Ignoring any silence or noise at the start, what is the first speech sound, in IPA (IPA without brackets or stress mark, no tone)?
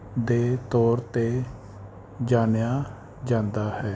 d̪